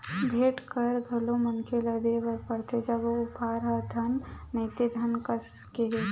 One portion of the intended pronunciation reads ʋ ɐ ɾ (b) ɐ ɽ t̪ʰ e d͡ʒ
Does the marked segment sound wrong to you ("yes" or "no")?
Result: yes